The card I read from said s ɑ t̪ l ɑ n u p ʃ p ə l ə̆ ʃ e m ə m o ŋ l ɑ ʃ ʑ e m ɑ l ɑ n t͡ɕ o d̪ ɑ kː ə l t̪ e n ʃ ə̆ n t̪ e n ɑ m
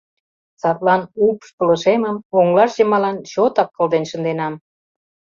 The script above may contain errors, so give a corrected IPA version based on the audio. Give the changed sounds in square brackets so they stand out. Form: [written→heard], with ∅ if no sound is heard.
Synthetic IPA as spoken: s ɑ t̪ l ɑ n u p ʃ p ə l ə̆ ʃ e m ə m o ŋ l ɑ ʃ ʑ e m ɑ l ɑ n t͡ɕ o [d̪→t̪] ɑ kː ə l [t̪→d̪] e n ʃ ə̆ n [t̪→d̪] e n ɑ m